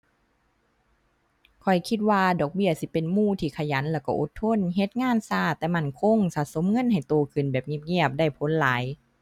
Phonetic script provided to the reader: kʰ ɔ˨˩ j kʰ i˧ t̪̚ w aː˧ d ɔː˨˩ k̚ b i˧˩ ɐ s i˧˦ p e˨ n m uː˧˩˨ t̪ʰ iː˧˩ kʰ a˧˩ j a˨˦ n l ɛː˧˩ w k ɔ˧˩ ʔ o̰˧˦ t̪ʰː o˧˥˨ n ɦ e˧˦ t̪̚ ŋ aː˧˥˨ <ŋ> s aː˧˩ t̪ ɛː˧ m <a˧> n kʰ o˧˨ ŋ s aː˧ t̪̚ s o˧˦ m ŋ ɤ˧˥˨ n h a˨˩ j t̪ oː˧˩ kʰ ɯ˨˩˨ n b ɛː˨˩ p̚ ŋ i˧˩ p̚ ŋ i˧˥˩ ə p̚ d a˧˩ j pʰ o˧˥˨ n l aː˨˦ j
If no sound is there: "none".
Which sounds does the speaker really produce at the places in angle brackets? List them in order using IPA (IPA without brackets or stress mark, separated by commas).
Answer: n, a˧˥˩